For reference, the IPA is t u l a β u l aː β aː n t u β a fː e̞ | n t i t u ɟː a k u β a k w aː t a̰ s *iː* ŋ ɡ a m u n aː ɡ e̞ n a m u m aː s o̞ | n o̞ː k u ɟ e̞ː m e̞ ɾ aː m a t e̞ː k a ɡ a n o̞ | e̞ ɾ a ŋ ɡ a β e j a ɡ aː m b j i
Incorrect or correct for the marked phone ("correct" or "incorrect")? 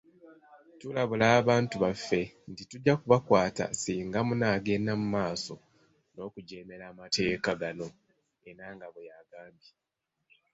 correct